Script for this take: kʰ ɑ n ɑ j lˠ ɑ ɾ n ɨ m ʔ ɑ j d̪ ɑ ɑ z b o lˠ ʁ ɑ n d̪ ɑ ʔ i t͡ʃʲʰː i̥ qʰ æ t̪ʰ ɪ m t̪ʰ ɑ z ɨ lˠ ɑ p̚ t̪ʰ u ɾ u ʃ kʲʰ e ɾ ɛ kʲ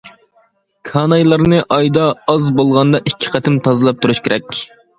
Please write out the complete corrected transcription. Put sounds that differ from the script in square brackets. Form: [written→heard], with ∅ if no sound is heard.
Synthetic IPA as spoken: kʰ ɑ n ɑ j lˠ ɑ ɾ n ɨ [m→∅] ʔ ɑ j d̪ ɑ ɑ z b o lˠ ʁ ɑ n d̪ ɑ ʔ i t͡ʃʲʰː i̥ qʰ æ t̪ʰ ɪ m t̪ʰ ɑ z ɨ lˠ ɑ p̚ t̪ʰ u ɾ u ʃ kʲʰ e ɾ ɛ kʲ